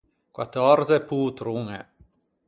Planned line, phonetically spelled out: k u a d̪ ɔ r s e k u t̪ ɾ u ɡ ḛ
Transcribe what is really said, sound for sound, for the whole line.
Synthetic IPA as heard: k w a t̪ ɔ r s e p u t̪ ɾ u ŋ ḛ